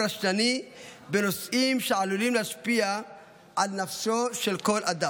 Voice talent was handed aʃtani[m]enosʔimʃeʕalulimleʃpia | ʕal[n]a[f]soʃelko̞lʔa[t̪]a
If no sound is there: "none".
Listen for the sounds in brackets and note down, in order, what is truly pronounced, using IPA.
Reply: b, n, f, d̪

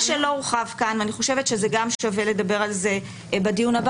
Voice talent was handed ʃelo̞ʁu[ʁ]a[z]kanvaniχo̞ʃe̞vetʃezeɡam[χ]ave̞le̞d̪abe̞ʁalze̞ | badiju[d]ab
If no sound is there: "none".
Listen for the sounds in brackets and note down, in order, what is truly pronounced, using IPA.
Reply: χ, v, ʃ, n

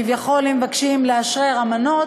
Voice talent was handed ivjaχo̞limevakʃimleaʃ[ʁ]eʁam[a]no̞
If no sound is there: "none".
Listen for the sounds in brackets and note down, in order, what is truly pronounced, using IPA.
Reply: ʁ, a

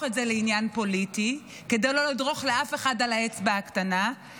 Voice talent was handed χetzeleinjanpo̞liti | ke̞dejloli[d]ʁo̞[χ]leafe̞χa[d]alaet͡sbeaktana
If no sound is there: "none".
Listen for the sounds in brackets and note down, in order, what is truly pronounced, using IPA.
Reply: d, χ, d

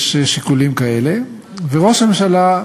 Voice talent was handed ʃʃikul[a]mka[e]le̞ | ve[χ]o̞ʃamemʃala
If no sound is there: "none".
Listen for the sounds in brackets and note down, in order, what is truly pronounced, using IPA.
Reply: i, e, ʁ

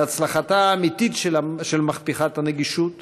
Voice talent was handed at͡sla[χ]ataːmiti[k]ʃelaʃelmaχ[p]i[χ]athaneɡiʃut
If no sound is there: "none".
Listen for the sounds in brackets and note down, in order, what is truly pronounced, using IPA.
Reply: χ, t, p, χ

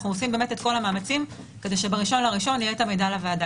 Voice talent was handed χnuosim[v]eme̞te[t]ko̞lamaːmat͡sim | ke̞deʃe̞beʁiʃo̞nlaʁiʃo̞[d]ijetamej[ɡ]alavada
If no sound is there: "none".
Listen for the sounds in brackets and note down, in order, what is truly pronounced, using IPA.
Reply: b, t, n, d

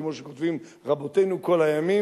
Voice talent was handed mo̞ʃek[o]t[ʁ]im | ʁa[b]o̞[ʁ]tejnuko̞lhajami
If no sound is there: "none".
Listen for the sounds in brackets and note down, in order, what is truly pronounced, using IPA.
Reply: o, v, b, none

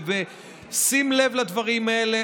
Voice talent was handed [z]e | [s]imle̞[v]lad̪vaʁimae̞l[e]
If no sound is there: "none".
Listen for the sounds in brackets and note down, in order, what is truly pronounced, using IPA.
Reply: v, s, v, e

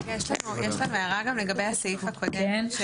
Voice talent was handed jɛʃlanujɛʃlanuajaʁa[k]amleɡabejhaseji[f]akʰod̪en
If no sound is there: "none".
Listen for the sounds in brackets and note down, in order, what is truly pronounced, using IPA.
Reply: ɡ, f

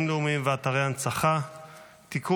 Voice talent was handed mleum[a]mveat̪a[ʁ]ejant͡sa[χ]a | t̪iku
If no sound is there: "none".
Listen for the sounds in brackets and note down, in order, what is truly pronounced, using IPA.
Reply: i, ʁ, χ

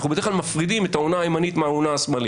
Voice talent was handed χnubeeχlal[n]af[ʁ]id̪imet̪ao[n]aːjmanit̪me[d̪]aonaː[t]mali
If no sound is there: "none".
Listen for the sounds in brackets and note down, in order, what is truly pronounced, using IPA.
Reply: m, ʁ, n, none, s

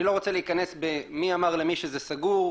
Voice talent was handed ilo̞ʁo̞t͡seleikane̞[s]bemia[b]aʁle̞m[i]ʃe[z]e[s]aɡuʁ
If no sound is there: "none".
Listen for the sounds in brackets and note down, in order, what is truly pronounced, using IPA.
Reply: s, m, i, z, s

